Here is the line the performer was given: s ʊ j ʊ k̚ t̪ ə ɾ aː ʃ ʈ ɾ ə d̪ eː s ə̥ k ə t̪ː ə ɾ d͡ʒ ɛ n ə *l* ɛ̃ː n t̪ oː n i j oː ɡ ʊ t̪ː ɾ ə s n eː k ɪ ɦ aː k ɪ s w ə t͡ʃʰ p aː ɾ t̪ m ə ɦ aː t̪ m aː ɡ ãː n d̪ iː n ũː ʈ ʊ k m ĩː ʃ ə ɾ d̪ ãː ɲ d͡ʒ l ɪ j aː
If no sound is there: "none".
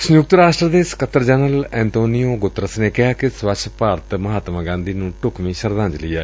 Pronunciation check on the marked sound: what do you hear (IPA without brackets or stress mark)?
l